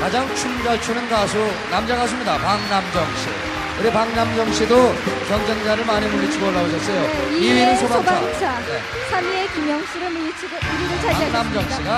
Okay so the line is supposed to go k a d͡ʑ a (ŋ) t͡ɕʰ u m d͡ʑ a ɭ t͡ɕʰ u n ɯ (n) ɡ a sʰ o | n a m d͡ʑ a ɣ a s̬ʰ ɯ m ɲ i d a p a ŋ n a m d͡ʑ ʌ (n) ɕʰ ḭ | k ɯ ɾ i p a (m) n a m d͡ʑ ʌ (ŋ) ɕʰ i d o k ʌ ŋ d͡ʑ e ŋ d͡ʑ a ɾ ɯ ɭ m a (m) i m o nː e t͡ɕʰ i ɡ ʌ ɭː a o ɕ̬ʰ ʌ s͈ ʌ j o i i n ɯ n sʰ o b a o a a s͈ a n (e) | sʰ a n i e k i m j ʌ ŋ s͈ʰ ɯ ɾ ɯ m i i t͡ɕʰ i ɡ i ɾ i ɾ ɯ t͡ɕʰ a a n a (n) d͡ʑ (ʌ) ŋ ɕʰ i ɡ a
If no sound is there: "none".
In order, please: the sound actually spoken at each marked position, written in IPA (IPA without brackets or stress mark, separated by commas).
ŋ, n, ŋ, ŋ, ŋ, ɲ, e, m, ʌ